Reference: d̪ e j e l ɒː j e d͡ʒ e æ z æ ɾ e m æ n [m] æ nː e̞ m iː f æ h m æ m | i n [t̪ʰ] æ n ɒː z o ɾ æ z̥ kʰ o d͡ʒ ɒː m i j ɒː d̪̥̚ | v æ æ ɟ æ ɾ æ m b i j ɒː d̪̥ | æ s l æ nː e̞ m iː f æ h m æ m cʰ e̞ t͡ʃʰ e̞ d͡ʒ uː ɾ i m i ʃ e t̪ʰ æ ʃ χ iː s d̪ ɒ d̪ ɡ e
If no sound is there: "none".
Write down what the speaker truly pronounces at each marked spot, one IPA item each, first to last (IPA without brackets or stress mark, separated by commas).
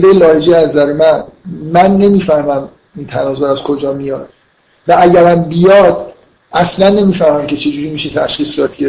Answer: m, t̪ʰ